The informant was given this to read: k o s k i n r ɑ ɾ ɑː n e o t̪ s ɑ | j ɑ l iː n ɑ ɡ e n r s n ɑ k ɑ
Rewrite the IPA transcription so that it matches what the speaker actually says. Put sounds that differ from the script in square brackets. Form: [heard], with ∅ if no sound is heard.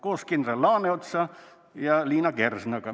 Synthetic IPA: k o s k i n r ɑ [l] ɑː n e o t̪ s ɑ | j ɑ l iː n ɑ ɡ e [∅] r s n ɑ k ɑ